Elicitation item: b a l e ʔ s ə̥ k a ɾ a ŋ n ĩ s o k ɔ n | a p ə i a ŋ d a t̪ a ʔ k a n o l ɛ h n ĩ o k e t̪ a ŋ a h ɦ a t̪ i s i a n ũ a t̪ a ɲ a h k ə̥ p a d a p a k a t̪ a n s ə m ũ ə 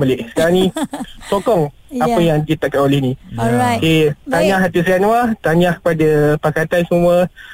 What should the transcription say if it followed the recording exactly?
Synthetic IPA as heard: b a l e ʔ s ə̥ k a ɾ a ŋ n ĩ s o k ɔ ŋ | a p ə j a ŋ d i t̪ a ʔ k a n o l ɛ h n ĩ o k e t̪ a ɲ a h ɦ a t̪ i s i a n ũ a t̪ a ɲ a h k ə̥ p a d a p a k a t̪ a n s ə m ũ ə